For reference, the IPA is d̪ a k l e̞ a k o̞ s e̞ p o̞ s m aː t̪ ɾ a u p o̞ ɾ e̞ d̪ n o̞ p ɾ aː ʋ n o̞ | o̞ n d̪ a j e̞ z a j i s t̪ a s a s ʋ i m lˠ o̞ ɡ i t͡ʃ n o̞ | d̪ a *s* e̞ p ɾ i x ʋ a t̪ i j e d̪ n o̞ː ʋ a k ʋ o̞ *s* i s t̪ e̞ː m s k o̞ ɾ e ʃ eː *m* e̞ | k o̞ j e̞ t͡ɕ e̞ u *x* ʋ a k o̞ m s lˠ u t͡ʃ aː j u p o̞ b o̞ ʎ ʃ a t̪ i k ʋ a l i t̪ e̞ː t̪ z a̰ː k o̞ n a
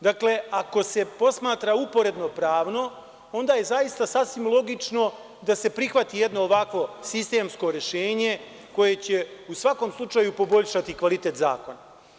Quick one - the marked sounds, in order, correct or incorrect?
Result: correct, correct, incorrect: ɲ, incorrect: s

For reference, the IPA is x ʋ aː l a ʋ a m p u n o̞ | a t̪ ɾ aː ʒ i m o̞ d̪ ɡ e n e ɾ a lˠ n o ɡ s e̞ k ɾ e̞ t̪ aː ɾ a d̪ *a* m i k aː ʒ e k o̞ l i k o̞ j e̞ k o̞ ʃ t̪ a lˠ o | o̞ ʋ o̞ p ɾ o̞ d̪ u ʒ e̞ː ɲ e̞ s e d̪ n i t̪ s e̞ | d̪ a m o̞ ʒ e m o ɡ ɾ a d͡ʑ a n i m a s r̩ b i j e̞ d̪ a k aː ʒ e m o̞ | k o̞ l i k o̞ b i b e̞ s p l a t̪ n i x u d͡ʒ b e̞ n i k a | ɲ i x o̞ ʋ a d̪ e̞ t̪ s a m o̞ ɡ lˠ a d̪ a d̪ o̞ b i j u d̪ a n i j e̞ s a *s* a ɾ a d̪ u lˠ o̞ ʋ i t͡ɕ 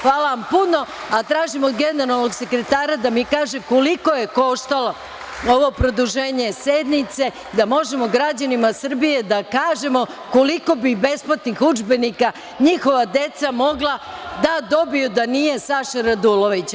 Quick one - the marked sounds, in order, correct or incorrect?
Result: correct, incorrect: ʃ

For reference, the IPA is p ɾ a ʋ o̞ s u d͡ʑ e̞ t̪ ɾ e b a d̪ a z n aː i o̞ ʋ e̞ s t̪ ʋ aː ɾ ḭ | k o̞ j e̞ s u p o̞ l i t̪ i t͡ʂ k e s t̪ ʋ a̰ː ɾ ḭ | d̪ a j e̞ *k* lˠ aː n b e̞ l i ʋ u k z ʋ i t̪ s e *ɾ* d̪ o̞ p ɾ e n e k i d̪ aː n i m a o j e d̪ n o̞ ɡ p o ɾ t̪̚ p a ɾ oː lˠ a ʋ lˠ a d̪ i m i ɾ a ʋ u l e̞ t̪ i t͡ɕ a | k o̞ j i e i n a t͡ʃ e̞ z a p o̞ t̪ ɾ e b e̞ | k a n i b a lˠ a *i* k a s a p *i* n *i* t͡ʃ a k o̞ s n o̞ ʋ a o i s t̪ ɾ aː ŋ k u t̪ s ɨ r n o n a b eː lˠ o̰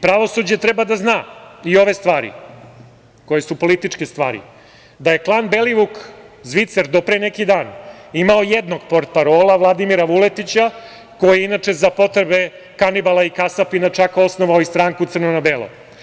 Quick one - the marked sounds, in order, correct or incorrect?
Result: correct, correct, correct, correct, incorrect: a

